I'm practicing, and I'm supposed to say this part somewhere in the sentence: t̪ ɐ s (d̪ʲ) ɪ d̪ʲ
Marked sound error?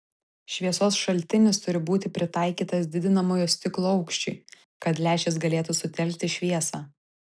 no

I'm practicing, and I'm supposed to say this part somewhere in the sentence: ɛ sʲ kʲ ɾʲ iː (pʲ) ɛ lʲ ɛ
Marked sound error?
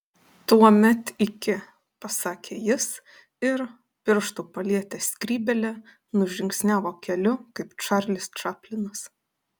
yes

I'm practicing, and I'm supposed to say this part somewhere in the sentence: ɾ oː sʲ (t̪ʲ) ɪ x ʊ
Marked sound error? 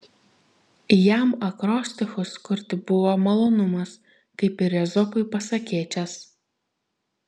no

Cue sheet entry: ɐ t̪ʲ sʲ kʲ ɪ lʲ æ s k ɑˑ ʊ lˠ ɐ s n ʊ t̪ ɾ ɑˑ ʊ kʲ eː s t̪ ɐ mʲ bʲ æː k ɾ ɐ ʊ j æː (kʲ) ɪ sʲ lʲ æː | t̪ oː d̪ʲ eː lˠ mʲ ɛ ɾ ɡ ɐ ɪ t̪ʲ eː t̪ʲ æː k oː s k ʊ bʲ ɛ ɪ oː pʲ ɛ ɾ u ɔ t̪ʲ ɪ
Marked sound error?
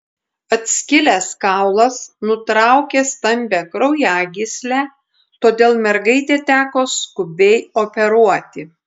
yes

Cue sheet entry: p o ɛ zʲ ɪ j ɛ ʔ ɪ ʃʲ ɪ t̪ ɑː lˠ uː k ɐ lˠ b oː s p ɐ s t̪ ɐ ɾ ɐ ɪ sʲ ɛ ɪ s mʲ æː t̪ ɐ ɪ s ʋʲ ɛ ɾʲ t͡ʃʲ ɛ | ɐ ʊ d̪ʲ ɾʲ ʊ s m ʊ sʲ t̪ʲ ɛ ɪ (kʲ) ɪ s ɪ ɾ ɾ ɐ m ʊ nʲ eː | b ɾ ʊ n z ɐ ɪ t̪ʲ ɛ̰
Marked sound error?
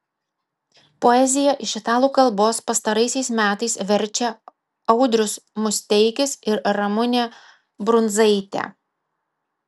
no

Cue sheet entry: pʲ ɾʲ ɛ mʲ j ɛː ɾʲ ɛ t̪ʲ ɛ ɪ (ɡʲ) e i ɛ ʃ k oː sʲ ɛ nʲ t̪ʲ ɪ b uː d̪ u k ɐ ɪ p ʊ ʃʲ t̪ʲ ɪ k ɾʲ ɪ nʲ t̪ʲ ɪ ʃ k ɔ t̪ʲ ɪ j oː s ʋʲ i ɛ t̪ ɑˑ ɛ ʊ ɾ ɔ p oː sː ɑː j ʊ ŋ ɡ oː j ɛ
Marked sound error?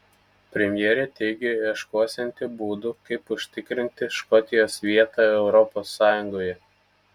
no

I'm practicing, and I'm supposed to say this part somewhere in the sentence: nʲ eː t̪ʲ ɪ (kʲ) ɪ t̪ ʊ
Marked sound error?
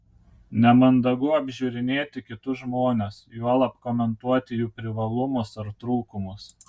no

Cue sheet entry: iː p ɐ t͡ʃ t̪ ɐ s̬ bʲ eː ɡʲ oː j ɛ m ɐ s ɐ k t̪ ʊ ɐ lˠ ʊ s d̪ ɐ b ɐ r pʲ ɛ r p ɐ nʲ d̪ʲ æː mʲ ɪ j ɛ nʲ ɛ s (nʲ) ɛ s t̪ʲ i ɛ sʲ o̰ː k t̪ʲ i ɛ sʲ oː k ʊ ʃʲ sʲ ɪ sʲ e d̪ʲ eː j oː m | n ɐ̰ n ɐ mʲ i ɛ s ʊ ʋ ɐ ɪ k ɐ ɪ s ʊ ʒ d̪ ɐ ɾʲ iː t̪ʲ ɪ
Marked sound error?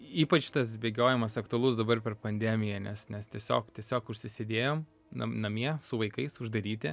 no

